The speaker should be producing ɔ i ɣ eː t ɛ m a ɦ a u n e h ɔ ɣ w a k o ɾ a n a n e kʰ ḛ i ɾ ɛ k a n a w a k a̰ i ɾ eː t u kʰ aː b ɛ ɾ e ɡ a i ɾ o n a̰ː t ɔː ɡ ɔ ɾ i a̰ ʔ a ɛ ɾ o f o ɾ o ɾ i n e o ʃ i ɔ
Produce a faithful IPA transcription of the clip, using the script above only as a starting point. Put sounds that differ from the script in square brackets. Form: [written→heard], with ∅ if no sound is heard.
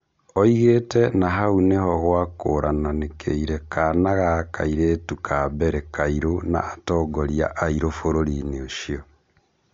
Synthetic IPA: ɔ i ɣ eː t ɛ [m→n] a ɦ a u n e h ɔ ɣ w a k o ɾ a n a n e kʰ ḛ i ɾ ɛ k a n a [w→ɣ] a k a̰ i ɾ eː t u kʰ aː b ɛ ɾ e [ɡ→k] a i ɾ o n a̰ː t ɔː ɡ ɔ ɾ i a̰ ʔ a [ɛ→i] ɾ o f o ɾ o ɾ i n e o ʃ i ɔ

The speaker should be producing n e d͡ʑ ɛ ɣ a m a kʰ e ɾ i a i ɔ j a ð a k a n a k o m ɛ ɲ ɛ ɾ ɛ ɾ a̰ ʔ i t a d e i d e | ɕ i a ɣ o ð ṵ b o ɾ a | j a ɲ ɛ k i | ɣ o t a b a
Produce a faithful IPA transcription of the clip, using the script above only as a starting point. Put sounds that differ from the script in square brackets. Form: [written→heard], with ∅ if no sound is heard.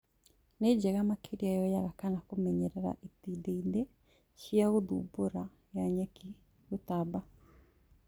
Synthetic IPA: n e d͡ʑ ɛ ɣ a m a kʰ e ɾ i a [i→j] ɔ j a [ð→ɣ] a k a n a k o m ɛ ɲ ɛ ɾ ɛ ɾ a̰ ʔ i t [a→i] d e i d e | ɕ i a ɣ o ð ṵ b o ɾ a | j a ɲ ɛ k i | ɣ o t a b a

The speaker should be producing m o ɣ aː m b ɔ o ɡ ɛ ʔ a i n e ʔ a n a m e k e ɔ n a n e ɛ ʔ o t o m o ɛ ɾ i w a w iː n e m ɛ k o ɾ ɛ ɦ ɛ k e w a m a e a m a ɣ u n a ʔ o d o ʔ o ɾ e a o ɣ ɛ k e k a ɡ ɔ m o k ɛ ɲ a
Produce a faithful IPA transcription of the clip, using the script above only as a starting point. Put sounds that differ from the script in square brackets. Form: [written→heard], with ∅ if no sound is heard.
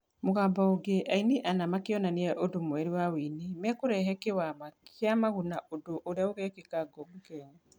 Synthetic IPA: m o ɣ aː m b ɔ o ɡ [ɛ→e] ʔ a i n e ʔ a n a m [e→a] k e ɔ n a n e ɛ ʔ o [t→d] o m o ɛ ɾ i w a w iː n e m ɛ k o ɾ ɛ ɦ ɛ k e w a m a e a m a ɣ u n a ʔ o d o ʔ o ɾ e a o ɣ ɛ k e k a ɡ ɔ m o k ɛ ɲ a

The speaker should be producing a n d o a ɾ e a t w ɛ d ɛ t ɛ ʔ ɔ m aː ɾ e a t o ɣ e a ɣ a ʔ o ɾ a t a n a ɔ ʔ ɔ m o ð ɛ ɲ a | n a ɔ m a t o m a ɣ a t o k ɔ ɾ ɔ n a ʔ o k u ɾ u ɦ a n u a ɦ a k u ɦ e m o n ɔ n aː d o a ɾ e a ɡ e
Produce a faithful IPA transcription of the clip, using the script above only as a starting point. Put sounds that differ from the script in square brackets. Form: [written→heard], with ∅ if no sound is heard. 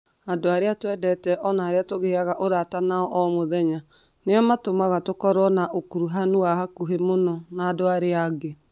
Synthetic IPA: a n d o a ɾ e a t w ɛ d ɛ t ɛ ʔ ɔ [m→n] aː ɾ e a t o ɣ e a ɣ a ʔ o ɾ a t a n a ɔ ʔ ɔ m o ð ɛ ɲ a | n [a→e] ɔ m a t o m a ɣ a t o k ɔ ɾ ɔ n a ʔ o k u ɾ u ɦ a n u a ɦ a k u ɦ e m o n ɔ n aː d o a ɾ e a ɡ e

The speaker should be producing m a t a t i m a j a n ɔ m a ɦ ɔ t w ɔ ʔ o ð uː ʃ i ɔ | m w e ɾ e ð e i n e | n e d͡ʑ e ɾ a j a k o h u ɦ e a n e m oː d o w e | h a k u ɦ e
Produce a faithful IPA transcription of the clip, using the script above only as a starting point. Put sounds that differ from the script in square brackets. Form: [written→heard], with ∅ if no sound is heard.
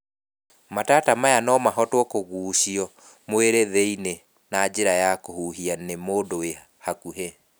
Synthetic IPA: m a t a t [i→a] m a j a n ɔ m a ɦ ɔ t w ɔ [ʔ→k] o [ð→ɣ] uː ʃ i ɔ | m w e ɾ e ð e i n e | n [e→a] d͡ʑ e ɾ a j a k o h u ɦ [e→i] a n e m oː d o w e | h a k u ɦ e

